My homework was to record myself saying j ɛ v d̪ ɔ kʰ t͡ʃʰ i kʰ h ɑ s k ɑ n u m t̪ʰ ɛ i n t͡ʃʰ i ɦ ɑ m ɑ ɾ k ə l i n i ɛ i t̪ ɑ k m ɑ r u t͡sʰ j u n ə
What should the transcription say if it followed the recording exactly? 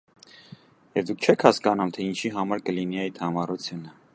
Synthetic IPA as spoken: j ɛ v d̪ u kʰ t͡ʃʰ ɛ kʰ h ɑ s k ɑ n u m t̪ʰ ɛ i n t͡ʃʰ i ɦ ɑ m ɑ ɾ k ə l i n i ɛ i t̪ʰ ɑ m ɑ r u t͡sʰ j u n ə